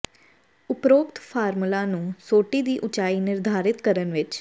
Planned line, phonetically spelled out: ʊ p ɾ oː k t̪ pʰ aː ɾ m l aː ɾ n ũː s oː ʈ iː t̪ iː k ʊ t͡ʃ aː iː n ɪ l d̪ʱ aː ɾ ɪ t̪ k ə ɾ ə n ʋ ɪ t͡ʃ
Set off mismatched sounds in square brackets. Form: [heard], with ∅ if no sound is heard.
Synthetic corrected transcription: ʊ p ɾ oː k t̪ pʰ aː ɾ m l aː [∅] n ũː s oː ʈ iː [d̪] iː [ʔ] ʊ t͡ʃ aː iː n ɪ [ɾ] d̪ʱ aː ɾ ɪ t̪ k ə ɾ ə n ʋ ɪ t͡ʃ